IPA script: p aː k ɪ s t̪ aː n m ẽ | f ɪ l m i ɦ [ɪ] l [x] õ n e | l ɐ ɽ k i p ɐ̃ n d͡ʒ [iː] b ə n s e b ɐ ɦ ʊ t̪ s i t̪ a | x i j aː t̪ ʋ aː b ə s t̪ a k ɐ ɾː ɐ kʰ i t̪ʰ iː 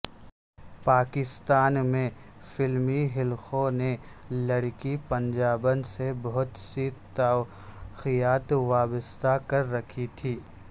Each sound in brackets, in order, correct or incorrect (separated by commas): correct, correct, incorrect